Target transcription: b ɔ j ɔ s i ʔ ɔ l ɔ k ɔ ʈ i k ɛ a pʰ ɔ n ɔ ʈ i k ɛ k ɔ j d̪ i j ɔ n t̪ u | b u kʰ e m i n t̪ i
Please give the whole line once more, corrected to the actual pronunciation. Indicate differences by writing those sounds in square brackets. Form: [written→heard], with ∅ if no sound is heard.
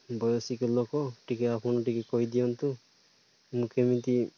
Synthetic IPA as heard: b ɔ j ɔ s i [ʔ→k] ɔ l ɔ k ɔ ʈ i k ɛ a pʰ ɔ n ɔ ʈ i k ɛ k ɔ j d̪ i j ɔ n t̪ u | [b→m] u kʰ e m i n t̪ i

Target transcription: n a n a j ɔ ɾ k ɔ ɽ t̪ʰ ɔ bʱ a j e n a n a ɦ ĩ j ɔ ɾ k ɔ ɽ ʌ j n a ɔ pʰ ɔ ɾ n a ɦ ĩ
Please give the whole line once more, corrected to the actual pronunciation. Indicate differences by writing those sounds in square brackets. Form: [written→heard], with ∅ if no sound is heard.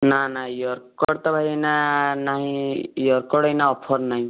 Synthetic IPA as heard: n a n a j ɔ ɾ k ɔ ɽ [t̪ʰ→t̪] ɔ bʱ a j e n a n a ɦ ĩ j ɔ ɾ k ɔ ɽ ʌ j n a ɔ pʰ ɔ ɾ n a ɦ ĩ

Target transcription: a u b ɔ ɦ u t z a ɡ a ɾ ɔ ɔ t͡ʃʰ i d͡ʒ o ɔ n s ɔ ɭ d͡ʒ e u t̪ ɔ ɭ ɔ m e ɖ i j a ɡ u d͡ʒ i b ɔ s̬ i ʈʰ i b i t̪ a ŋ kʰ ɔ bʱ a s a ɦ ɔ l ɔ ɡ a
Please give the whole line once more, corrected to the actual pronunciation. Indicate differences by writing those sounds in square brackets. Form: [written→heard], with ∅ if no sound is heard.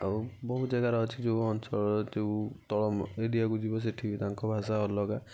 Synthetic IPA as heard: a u b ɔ ɦ u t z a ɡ a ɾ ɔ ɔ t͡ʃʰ i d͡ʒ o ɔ n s ɔ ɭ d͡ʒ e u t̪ ɔ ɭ ɔ m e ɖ i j a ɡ u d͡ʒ i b ɔ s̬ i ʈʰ i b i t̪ a ŋ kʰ ɔ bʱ a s a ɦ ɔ l ɔ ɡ a

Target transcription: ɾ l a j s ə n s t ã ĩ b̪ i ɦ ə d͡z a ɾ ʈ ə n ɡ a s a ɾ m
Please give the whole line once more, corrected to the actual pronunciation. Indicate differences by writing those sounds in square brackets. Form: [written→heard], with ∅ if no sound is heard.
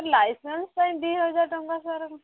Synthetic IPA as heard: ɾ l a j s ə n s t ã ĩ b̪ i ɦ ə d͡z a ɾ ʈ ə [n→ŋ] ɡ a s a ɾ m

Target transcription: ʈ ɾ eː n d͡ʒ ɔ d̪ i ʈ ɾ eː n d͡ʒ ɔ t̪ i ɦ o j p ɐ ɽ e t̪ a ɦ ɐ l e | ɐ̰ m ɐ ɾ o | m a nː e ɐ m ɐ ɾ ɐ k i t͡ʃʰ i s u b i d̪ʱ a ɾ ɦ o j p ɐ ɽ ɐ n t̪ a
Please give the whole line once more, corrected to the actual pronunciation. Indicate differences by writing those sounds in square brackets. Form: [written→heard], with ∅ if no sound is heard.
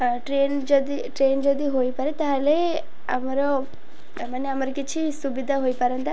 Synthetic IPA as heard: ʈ ɾ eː n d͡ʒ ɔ d̪ i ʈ ɾ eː n d͡ʒ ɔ [t̪→d̪] i ɦ o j p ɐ [ɽ→ɾ] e t̪ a ɦ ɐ l e | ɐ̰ m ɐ ɾ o | m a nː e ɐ m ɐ ɾ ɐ k i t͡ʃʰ i s u b i d̪ʱ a [ɾ→∅] ɦ o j p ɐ [ɽ→ɾ] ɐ n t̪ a

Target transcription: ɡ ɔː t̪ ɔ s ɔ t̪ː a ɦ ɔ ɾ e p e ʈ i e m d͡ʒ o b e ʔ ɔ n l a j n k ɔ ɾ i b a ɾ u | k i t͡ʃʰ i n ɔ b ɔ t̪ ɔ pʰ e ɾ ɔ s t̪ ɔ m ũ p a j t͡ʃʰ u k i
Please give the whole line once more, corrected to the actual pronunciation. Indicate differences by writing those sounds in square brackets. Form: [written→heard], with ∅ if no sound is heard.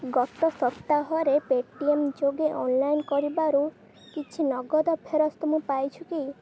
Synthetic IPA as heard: ɡ [ɔː→ɔ] t̪ ɔ s ɔ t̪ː a ɦ ɔ ɾ e p e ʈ i e m d͡ʒ o [b→ɡ] e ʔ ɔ n l a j n k ɔ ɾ i b a ɾ u | k i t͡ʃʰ i n ɔ [b→ɡ] ɔ [t̪→d̪] ɔ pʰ e ɾ ɔ s t̪ ɔ m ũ p a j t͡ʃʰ u k i

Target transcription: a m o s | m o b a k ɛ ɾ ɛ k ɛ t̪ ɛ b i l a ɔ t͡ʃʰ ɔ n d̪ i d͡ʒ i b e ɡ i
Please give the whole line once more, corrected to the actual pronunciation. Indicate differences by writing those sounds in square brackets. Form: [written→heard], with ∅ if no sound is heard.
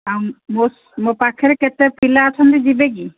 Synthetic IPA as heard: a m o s | m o [b→p] a [k→kʰ] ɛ ɾ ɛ k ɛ t̪ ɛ [b→p] i l a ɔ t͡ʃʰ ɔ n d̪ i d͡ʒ i b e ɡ i

